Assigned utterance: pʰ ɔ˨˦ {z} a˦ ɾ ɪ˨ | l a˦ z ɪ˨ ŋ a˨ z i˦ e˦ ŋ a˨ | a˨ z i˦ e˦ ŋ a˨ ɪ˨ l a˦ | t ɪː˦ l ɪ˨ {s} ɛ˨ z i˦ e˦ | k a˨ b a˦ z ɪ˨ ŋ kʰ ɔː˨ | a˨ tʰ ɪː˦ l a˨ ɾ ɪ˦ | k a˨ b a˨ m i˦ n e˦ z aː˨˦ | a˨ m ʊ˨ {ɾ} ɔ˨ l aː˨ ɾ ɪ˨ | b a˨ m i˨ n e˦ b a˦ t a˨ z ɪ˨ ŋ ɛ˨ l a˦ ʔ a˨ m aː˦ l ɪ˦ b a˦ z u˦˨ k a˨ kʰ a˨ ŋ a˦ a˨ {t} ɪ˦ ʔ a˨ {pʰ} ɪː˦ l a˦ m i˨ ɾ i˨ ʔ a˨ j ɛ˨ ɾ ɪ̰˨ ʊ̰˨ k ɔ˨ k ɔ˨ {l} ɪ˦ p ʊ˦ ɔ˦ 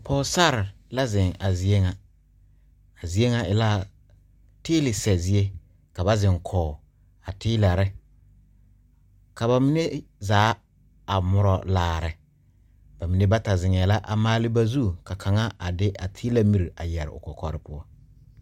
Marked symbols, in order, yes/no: no, yes, yes, no, no, no

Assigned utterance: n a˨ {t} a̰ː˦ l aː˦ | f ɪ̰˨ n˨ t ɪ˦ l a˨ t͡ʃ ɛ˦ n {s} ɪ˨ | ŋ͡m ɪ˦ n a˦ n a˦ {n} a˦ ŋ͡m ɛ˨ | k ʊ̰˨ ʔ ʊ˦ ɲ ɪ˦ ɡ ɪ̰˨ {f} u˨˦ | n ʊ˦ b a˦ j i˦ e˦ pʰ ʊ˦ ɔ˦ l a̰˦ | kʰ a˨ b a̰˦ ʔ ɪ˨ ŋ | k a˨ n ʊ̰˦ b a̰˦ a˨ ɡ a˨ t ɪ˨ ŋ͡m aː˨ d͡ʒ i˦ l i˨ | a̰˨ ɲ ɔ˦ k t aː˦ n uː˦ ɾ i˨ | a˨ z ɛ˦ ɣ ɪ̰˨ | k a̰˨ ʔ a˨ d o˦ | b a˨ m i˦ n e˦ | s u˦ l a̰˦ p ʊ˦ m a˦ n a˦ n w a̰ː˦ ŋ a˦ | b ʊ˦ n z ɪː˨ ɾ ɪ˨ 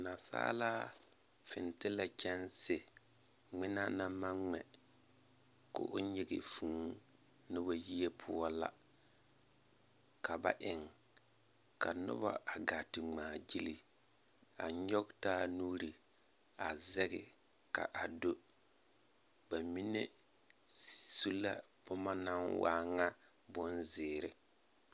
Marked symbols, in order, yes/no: no, yes, no, yes

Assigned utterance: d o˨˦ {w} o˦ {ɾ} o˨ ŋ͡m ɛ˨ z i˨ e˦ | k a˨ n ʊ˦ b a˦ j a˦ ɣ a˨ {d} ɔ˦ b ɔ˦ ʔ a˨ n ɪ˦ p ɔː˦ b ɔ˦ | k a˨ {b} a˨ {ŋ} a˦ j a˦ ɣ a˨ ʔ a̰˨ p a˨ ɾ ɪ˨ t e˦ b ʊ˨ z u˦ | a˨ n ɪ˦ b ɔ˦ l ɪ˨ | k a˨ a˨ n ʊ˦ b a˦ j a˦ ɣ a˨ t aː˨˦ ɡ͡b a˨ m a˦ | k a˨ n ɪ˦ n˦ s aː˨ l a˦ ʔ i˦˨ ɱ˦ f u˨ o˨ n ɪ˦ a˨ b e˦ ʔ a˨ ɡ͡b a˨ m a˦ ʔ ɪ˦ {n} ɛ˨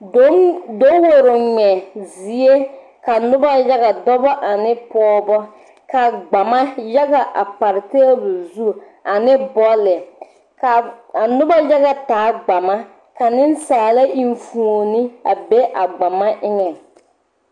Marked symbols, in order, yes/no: yes, yes, yes, no, no, no

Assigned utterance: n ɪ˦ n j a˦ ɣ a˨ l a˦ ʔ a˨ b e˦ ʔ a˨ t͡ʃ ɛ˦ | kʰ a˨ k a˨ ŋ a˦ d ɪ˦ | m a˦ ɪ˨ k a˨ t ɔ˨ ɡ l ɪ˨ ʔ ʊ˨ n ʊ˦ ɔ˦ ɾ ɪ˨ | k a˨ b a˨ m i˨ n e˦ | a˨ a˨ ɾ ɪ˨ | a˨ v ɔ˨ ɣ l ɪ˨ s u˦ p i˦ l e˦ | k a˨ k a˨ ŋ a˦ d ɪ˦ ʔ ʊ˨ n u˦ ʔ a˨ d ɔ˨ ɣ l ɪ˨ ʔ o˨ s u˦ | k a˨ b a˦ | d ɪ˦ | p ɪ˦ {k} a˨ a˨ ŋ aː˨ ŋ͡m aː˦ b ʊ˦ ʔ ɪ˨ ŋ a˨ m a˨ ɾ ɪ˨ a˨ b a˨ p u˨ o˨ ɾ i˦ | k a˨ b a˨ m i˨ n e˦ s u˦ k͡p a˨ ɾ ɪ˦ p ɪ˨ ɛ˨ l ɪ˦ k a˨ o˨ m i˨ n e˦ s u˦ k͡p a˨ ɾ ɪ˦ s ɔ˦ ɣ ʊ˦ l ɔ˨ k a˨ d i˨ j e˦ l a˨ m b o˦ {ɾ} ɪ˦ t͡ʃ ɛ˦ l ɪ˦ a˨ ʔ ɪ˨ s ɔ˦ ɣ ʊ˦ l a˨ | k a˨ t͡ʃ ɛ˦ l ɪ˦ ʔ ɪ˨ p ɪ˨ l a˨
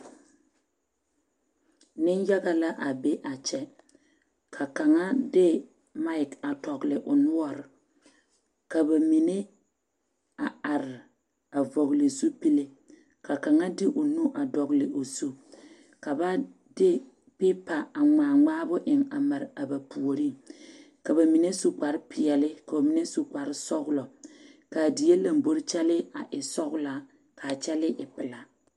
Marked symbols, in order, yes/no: no, yes

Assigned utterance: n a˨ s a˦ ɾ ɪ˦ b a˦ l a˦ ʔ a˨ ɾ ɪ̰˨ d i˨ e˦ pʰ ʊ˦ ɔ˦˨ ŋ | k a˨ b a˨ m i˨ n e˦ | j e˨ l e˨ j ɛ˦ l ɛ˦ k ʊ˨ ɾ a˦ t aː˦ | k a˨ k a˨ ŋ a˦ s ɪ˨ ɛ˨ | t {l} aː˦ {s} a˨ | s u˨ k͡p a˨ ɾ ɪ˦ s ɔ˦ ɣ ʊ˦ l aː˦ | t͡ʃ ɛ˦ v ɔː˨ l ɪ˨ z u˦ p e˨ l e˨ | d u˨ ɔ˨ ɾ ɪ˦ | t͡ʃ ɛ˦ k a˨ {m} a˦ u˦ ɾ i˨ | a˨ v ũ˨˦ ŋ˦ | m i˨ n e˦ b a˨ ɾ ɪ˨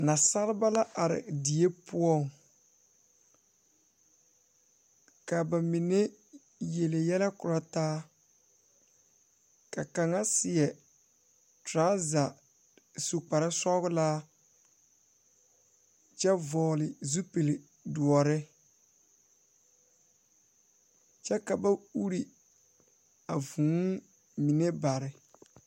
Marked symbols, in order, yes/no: no, no, no

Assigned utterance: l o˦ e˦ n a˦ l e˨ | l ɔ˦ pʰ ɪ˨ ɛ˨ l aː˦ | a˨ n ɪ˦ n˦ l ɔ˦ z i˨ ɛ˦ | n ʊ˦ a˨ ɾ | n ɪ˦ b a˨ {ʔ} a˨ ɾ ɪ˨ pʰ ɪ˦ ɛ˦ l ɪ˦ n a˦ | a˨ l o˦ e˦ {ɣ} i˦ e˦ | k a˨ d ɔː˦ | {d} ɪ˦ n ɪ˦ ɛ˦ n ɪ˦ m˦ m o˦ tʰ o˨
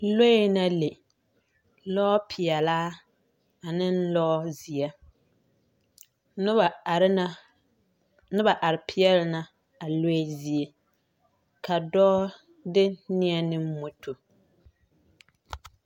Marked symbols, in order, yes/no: yes, no, yes

